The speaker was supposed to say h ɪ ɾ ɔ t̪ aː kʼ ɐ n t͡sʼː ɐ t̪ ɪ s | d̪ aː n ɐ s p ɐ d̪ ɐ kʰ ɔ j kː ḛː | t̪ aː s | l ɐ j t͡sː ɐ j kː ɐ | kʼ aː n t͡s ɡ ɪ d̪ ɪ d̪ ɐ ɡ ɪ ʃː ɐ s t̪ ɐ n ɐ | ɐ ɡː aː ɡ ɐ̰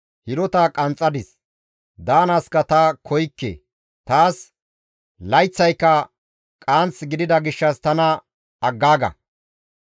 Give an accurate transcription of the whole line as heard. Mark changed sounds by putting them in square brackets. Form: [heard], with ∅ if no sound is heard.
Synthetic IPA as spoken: h ɪ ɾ ɔ t̪ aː kʼ ɐ n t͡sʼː ɐ [d̪] ɪ s | d̪ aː n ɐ s [k] ɐ [t̪] ɐ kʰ ɔ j kː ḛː | t̪ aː s | l ɐ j t͡sː ɐ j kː ɐ | kʼ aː n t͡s ɡ ɪ d̪ ɪ d̪ ɐ ɡ ɪ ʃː ɐ s t̪ ɐ n ɐ | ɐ ɡː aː ɡ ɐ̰

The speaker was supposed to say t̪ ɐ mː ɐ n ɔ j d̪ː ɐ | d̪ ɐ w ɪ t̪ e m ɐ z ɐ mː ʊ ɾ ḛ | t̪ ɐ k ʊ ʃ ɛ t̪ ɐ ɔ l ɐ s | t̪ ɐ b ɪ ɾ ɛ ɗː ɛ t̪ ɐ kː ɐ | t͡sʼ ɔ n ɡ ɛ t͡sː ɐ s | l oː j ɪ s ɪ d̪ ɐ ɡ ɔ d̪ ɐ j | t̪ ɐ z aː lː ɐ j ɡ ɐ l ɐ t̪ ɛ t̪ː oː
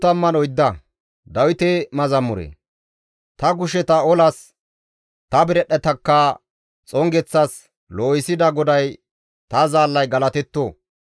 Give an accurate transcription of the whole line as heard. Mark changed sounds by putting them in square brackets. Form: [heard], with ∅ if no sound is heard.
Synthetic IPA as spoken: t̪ ɐ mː ɐ n ɔ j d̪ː ɐ | d̪ ɐ w ɪ t̪ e m ɐ z ɐ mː ʊ ɾ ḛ | t̪ ɐ [ɡ] ʊ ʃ ɛ t̪ ɐ ɔ l ɐ s | t̪ ɐ b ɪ ɾ ɛ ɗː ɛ t̪ ɐ kː ɐ | t͡sʼ ɔ [ŋ] ɡ ɛ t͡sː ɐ s | l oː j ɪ s ɪ d̪ ɐ ɡ ɔ d̪ ɐ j | t̪ ɐ z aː lː ɐ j ɡ ɐ l ɐ t̪ ɛ t̪ː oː

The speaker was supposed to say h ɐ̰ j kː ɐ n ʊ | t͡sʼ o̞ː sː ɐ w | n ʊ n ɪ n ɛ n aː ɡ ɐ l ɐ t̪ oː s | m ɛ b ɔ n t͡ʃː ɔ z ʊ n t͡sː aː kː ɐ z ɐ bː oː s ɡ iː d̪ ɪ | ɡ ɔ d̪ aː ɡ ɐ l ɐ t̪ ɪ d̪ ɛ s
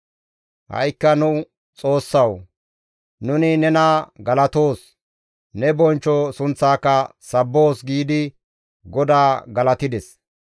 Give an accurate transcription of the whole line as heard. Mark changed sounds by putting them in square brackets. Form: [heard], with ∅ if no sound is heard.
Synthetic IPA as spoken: h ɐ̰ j kː ɐ n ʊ | t͡sʼ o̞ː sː ɐ w | n ʊ n ɪ n ɛ n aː ɡ ɐ l ɐ t̪ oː s | [n] ɛ b ɔ n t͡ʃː ɔ [s] ʊ n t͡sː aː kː ɐ [s] ɐ bː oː s ɡ iː d̪ ɪ | ɡ ɔ d̪ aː ɡ ɐ l ɐ t̪ ɪ d̪ ɛ s

